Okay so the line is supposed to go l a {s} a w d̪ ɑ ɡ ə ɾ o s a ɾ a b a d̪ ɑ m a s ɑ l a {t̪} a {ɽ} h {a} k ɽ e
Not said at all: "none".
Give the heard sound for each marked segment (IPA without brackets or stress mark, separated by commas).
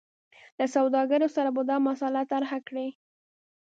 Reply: s, t̪, ɾ, a